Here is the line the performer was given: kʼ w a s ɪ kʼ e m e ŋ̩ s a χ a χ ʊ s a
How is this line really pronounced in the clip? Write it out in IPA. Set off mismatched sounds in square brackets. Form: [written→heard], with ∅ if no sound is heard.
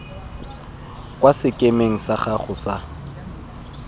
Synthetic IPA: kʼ w a s ɪ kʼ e m e ŋ̩ s a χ a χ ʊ s a